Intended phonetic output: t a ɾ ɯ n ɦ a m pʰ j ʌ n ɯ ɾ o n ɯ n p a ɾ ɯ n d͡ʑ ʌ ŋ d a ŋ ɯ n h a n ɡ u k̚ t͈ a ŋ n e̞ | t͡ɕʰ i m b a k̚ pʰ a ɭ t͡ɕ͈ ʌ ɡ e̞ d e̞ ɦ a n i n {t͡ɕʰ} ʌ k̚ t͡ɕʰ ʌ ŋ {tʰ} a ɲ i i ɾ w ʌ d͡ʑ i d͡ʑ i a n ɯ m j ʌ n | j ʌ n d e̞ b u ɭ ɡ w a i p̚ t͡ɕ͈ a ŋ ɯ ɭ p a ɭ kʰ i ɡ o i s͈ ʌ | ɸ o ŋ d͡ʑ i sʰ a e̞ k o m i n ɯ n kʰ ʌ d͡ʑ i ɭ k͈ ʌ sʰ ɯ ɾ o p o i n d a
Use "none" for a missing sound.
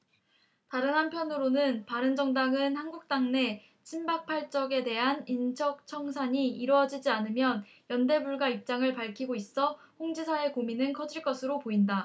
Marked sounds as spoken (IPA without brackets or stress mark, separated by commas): t͡ɕʰ, sʰ